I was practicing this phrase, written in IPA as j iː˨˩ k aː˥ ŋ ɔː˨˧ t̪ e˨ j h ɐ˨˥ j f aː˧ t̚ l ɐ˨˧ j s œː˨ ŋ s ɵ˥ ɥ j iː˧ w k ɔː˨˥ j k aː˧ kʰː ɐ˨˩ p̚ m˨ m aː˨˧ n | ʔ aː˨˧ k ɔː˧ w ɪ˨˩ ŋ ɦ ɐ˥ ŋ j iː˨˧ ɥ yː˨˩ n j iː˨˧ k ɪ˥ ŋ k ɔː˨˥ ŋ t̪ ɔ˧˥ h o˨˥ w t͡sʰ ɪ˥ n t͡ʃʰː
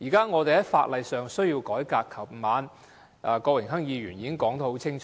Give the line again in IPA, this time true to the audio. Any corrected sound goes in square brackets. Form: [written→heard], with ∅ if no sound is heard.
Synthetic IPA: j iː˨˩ k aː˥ ŋ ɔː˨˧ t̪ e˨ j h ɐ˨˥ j f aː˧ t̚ l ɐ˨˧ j s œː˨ ŋ s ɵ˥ ɥ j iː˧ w k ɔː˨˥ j k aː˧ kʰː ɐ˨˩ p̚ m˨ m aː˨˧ n | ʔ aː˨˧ k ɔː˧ w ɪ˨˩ ŋ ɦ ɐ˥ ŋ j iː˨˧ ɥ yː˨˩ n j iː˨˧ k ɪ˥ ŋ k ɔː˨˥ ŋ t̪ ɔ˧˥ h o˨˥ w t͡sʰ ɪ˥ [n→ŋ] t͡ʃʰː